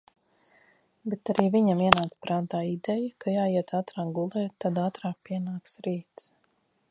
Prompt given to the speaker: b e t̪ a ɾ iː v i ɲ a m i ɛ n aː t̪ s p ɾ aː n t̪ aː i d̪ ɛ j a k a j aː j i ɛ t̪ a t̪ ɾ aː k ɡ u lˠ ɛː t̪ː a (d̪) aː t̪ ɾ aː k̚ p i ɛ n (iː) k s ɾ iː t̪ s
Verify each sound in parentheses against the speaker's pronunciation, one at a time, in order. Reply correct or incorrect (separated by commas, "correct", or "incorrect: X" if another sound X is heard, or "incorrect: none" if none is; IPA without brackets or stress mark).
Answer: correct, incorrect: aː